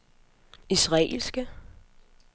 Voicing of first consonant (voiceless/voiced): voiceless